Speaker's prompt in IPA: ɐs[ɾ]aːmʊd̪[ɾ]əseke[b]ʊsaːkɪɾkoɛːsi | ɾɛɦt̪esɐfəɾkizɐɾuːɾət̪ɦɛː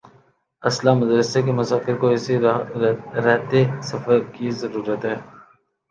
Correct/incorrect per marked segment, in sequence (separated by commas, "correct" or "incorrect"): incorrect, correct, incorrect